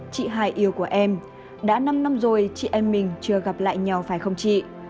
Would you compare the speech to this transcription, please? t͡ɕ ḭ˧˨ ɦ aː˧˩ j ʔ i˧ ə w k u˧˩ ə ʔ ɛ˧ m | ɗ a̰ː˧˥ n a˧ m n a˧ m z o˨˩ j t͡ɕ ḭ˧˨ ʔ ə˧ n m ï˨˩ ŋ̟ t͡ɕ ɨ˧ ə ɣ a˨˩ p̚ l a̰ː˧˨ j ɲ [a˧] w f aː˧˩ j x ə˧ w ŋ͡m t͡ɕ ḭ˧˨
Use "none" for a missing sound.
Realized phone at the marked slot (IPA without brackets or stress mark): a˨˩